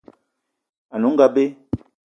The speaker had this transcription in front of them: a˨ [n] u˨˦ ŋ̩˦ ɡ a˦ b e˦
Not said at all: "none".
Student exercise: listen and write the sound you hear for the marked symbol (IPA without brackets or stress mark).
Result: n